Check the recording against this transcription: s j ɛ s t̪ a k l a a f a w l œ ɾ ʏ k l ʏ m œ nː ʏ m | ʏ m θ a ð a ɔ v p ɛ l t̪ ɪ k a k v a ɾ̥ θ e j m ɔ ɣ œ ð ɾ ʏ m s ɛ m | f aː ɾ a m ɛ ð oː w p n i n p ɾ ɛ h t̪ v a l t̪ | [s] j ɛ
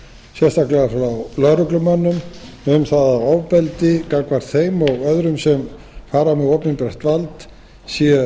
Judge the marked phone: correct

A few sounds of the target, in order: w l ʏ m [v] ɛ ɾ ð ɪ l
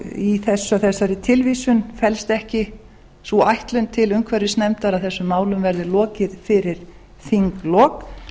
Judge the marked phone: correct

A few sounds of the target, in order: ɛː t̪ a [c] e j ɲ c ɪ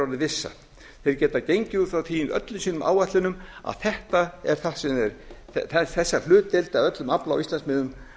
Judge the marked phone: correct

